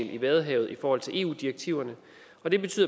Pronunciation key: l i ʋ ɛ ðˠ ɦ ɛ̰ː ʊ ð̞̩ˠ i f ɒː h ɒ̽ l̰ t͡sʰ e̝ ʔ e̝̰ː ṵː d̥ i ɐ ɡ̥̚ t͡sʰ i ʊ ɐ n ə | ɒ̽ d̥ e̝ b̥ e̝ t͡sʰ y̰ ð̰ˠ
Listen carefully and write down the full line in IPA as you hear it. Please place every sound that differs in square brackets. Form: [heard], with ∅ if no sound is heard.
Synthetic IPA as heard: l i ʋ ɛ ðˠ ɦ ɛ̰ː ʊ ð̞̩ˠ i f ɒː h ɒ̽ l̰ t͡sʰ e̝ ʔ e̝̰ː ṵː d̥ i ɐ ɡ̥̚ t͡sʰ i ʊ ɐ n ə | ɒ̽ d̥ e̝ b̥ e̝ t͡sʰ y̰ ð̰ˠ